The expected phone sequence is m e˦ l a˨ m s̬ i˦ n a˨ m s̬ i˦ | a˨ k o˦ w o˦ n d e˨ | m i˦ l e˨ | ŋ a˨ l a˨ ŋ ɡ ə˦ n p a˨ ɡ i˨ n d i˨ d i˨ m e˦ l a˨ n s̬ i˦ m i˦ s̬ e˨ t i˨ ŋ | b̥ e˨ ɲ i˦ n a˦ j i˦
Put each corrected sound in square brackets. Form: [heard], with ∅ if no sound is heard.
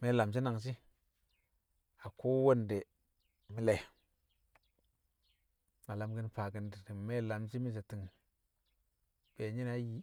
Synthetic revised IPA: m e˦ l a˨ m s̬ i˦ n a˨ [ŋ] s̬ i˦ | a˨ k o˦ w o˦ n d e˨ | m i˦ l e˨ | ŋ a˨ l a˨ [m] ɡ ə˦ n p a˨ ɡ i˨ n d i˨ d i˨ m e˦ l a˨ [m] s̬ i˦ m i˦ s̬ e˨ t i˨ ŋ | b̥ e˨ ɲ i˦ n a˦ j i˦